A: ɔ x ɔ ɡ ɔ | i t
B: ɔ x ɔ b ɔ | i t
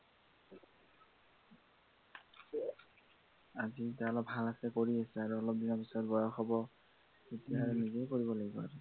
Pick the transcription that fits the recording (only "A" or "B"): B